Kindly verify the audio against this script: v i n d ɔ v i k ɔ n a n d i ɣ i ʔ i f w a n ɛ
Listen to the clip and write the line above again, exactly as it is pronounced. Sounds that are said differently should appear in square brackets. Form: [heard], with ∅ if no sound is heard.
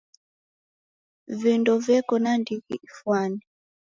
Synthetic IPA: v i n d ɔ v [ɛ] k ɔ n a n d i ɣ i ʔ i f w a n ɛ